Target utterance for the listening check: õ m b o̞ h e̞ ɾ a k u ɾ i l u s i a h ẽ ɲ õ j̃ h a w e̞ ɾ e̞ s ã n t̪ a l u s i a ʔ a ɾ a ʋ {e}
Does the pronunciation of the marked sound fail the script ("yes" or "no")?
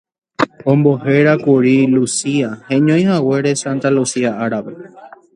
no